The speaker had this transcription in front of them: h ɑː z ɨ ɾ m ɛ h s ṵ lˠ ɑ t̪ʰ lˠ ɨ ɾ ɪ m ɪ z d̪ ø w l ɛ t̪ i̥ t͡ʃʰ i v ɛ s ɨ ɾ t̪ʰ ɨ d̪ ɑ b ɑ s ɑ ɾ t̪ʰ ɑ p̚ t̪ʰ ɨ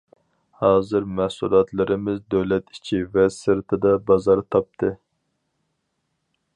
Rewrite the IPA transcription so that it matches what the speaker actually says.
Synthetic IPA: h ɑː z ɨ ɾ m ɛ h s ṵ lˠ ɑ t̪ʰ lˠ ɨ ɾ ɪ m ɪ z d̪ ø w l ɛ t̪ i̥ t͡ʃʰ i v ɛ s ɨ ɾ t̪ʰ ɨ d̪ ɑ b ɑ z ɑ ɾ t̪ʰ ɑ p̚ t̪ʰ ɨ